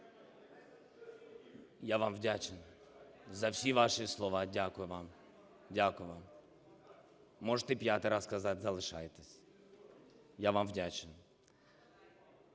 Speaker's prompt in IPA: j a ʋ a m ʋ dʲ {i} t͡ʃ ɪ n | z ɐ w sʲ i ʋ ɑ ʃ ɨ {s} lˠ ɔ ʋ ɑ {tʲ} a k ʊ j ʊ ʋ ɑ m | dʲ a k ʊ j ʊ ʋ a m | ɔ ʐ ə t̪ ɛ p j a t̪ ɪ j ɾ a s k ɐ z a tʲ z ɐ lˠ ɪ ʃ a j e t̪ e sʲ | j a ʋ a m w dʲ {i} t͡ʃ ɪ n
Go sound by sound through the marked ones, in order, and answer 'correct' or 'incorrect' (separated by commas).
incorrect, correct, incorrect, incorrect